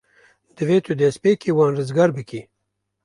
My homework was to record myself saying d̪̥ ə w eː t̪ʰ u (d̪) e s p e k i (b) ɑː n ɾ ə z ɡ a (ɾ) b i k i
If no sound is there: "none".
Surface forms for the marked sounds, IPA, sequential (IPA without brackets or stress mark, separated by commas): d̪, w, ɾ